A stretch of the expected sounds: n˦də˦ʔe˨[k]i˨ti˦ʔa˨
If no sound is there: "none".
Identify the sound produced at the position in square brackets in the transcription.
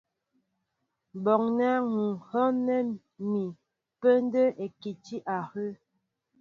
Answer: k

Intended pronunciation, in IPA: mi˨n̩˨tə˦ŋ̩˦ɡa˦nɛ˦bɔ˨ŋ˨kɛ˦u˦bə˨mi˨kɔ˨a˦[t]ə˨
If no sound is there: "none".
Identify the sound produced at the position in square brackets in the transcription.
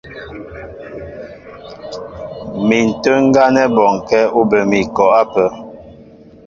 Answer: p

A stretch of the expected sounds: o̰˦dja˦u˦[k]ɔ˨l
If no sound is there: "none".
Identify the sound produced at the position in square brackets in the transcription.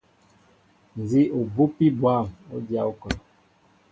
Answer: k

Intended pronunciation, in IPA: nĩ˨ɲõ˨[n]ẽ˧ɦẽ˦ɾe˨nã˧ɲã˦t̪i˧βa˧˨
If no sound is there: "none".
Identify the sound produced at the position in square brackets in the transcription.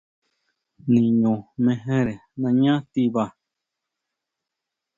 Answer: m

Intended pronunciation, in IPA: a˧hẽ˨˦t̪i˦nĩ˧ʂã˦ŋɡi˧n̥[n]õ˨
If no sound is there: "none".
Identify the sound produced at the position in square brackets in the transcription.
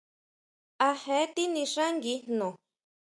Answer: n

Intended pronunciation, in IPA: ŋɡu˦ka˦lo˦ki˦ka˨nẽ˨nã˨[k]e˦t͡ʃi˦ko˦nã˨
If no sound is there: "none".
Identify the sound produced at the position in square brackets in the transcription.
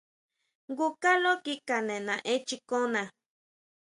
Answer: ʔ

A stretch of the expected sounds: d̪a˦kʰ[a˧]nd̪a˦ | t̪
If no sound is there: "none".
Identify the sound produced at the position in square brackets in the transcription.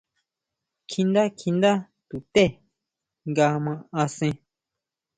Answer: i˧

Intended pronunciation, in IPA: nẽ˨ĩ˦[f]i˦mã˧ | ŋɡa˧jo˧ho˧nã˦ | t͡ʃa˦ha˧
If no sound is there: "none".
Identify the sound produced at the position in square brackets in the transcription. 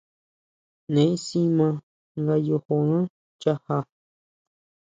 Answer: s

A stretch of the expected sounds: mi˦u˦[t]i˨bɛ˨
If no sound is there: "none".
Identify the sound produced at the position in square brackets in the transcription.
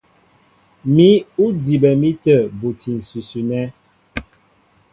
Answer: d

